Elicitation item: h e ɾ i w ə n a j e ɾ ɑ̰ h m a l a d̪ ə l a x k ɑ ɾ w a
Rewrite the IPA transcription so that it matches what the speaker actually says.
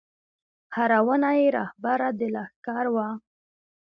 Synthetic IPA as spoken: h a ɾ a w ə n a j e ɾ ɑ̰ h b a ɾ a d̪ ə l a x k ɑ ɾ w a